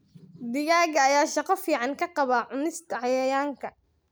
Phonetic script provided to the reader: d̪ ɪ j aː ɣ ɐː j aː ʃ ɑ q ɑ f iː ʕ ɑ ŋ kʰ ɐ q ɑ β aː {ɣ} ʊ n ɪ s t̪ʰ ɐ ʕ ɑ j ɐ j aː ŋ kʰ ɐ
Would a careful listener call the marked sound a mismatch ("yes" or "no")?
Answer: yes